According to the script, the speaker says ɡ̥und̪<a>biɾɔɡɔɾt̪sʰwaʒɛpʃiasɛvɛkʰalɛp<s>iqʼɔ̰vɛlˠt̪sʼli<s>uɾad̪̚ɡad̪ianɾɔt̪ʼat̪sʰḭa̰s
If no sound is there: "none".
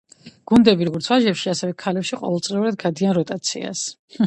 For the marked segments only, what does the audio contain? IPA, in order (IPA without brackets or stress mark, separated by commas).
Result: ɛ, ʃ, none